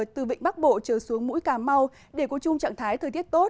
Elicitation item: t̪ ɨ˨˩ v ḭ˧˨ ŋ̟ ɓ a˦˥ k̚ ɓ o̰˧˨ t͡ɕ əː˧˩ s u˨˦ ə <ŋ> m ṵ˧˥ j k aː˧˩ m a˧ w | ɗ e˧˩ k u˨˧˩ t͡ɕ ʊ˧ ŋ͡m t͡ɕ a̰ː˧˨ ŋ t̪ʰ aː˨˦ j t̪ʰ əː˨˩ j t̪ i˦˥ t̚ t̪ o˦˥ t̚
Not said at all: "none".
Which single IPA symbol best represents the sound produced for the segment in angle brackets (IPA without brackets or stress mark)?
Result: ŋ